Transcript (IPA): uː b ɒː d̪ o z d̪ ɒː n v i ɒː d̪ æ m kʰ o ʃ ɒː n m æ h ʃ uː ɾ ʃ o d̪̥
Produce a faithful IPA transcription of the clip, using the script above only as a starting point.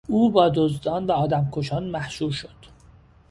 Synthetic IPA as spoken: uː b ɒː d̪ o z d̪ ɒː n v æ ɒː d̪ æ m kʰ o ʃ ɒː n m æ h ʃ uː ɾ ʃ o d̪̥